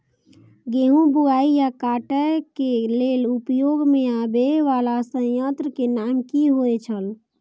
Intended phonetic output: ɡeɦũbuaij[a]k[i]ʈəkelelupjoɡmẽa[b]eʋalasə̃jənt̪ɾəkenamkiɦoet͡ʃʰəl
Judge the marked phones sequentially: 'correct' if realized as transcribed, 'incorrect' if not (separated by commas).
correct, incorrect, correct